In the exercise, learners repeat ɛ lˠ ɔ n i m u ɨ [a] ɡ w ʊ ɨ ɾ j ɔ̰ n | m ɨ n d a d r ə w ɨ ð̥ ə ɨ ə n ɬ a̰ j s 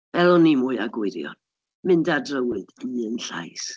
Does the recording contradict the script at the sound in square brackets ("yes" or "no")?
no